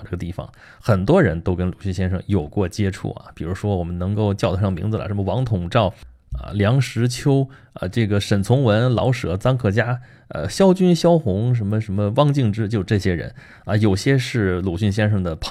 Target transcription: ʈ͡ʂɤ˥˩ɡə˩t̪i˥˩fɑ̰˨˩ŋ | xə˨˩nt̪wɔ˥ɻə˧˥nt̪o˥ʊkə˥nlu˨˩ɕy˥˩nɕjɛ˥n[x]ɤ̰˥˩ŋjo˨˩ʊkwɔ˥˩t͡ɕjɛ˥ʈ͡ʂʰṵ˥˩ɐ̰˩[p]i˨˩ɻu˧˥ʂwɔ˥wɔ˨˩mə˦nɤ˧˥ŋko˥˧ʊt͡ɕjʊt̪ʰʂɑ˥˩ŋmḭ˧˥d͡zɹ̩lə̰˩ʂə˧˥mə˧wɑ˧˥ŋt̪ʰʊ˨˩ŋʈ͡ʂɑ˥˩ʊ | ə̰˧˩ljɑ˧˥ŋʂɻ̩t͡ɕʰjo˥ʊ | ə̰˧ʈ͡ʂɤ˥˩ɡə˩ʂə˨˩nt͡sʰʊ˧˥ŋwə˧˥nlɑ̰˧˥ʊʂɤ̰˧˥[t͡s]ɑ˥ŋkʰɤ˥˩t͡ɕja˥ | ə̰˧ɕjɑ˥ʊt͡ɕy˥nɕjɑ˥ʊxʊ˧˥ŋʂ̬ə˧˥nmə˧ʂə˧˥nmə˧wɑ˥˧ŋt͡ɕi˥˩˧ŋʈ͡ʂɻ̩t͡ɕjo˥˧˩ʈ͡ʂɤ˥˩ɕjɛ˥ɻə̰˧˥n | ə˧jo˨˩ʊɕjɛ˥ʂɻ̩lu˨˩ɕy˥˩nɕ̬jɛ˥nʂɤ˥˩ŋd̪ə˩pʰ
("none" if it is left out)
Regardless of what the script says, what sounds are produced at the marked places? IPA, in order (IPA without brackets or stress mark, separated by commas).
ʂ, p, t͡s